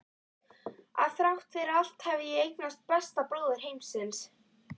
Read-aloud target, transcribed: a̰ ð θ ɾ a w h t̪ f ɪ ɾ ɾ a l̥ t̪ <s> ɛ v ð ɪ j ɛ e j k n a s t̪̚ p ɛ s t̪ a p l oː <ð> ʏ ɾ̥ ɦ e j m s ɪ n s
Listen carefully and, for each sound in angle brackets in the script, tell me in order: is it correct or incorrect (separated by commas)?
incorrect, correct